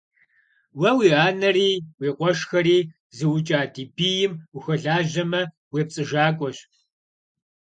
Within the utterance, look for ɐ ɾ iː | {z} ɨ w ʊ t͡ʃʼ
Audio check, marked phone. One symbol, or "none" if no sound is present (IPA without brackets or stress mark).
z